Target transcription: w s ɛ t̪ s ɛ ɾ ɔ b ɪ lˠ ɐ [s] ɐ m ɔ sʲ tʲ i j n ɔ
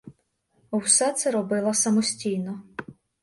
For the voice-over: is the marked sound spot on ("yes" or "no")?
yes